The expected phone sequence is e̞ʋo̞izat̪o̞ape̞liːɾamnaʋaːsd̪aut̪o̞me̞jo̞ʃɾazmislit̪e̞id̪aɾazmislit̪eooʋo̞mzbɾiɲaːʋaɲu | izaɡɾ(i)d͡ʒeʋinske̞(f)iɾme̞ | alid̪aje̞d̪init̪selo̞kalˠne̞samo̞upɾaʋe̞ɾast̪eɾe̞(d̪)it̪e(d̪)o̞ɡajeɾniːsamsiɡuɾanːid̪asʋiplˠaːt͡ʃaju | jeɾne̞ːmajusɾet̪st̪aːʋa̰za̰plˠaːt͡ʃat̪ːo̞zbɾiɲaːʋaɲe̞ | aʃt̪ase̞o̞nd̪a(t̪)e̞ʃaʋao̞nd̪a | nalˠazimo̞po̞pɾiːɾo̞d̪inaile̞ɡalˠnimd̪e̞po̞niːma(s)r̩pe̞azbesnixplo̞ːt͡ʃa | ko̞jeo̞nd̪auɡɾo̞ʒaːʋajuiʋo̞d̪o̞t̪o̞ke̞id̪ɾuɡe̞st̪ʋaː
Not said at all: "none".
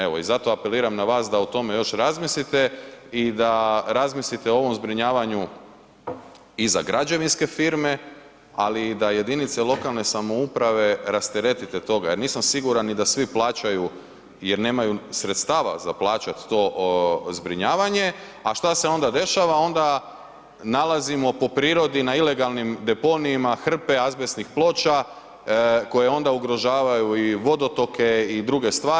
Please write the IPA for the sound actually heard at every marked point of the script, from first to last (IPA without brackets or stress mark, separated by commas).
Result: a, f, t̪, t̪, d̪, x